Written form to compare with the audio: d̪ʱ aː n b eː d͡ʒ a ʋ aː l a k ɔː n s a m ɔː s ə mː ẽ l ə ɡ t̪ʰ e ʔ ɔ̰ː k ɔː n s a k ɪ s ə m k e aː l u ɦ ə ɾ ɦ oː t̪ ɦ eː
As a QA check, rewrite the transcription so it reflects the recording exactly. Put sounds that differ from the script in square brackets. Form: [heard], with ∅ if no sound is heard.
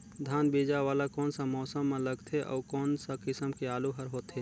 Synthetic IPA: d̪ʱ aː n b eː d͡ʒ a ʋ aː l a k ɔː n s a m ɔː s ə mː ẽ l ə ɡ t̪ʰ e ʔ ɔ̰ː k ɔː n s a k ɪ s ə m k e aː l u ɦ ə ɾ ɦ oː t̪ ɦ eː